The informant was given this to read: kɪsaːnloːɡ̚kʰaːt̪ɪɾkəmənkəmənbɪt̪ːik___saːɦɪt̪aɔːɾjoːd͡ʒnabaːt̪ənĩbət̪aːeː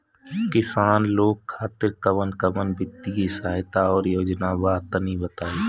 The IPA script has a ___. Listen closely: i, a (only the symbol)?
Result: i